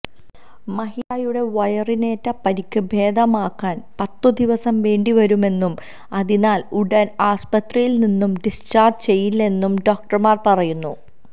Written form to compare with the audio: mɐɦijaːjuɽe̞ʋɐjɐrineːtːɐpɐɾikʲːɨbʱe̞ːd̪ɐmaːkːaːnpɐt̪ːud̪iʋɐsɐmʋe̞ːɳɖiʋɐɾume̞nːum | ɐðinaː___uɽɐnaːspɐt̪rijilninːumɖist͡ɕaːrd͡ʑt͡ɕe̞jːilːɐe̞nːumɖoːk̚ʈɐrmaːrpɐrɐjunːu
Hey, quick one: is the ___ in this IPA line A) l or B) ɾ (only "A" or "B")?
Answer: A